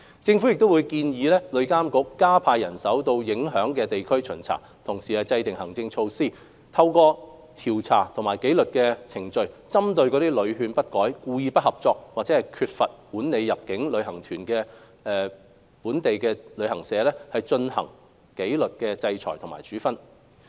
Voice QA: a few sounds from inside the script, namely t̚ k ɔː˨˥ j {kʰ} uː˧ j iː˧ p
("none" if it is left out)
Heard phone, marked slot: k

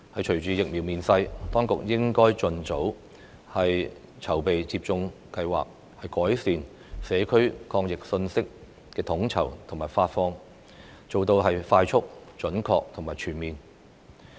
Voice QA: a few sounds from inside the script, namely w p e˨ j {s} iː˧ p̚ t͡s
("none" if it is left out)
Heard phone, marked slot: t͡s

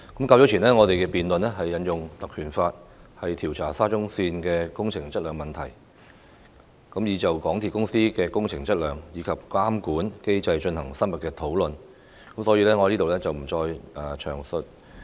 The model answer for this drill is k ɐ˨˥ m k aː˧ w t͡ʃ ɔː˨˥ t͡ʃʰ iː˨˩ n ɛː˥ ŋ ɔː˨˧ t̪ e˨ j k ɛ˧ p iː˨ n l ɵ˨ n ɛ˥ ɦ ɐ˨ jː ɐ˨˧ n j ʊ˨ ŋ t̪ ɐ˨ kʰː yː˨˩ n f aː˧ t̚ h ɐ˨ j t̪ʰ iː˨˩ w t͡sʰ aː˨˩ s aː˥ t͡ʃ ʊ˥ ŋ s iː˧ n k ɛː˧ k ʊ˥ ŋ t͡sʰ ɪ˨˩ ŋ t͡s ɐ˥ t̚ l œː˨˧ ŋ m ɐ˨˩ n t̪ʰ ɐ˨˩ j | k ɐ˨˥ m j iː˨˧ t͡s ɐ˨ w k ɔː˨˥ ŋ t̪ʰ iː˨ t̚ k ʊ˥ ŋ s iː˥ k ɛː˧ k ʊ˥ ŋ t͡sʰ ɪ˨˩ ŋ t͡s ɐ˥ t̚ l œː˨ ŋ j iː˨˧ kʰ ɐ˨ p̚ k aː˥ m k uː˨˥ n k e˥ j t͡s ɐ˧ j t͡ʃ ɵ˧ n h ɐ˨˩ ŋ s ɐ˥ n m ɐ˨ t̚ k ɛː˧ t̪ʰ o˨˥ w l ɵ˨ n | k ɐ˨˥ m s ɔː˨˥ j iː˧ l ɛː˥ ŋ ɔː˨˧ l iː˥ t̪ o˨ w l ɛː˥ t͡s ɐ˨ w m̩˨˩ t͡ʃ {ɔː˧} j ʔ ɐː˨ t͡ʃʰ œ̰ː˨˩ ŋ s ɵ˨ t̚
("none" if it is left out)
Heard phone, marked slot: ɔː˧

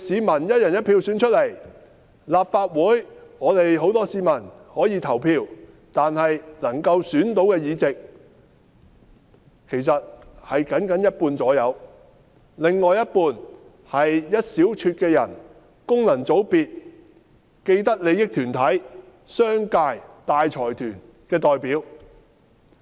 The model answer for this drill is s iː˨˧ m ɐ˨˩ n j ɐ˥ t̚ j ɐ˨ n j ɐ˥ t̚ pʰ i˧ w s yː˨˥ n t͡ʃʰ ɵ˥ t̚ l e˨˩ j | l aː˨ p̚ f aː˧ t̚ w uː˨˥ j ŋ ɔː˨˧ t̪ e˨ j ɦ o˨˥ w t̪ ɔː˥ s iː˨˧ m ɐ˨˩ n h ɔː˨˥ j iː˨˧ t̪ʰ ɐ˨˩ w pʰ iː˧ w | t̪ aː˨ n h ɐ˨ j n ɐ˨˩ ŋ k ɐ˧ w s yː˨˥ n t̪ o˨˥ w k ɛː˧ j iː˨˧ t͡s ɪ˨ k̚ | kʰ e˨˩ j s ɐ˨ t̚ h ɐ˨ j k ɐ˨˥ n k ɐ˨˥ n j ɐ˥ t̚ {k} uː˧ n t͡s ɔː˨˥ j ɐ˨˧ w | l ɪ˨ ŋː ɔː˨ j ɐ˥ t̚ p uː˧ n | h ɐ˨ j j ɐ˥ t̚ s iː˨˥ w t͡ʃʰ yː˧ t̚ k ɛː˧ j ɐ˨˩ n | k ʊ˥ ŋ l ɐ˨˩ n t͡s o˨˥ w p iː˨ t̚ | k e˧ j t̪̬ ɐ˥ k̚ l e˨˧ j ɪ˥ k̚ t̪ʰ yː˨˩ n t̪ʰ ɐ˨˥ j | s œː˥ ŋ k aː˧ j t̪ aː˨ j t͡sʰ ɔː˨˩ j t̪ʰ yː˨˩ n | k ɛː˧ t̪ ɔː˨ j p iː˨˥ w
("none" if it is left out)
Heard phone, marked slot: p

